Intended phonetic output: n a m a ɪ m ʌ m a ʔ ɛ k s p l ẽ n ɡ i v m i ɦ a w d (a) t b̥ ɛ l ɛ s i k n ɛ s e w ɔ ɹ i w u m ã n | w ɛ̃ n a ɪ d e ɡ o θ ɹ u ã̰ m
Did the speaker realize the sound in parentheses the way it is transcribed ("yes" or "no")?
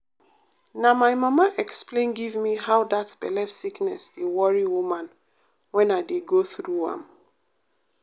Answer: yes